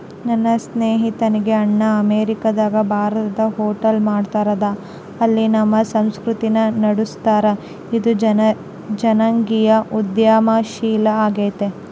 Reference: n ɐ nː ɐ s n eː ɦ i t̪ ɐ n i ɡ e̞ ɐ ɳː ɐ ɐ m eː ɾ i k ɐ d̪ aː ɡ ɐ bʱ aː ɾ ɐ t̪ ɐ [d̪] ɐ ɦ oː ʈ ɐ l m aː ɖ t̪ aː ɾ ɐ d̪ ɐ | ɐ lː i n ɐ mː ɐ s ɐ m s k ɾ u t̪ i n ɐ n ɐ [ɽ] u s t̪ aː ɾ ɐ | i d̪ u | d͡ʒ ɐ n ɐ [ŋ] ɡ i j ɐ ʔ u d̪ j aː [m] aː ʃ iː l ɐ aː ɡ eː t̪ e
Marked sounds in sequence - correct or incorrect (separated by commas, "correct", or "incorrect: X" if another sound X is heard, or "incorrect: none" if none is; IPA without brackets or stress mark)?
correct, correct, correct, correct